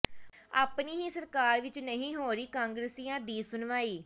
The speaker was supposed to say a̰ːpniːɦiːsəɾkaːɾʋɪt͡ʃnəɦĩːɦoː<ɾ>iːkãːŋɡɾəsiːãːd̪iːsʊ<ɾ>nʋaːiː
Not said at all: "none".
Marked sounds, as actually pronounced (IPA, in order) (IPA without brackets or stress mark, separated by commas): ɾ, none